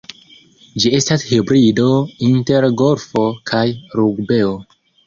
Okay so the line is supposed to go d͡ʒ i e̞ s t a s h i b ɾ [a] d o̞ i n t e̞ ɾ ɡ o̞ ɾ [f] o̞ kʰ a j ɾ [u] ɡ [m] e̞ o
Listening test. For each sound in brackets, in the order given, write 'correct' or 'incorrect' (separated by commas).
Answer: incorrect, correct, correct, incorrect